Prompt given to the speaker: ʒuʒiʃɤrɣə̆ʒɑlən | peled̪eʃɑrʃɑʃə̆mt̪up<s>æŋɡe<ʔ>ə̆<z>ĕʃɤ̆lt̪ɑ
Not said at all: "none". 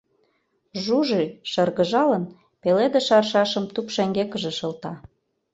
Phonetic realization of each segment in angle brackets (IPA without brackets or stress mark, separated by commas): ʃ, k, ʒ